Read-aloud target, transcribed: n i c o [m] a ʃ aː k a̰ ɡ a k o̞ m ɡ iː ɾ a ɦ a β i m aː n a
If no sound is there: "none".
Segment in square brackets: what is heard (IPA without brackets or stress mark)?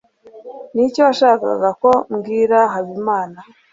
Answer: none